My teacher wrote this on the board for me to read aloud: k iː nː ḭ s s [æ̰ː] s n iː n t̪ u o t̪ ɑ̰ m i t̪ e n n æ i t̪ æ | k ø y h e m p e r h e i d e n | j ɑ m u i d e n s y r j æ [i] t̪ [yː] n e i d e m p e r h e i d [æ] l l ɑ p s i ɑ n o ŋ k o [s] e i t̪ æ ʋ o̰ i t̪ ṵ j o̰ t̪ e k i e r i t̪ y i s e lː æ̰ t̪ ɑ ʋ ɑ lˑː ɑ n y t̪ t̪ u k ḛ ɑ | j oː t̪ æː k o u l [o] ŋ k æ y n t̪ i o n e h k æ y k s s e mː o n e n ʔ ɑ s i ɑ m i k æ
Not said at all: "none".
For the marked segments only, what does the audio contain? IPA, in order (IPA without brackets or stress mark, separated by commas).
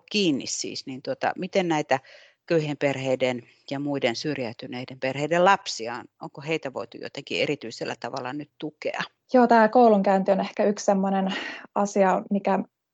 ḭː, y, y, e, h, u